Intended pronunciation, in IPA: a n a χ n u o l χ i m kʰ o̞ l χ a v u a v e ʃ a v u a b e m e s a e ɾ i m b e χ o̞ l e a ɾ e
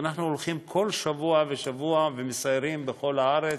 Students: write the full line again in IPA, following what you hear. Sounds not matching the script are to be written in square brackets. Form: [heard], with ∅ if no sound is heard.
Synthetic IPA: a n a χ n u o l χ i m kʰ o̞ l [ʃ] a v u a v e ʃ a v u a [v] e m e s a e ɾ i m b e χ o̞ l [a] a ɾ e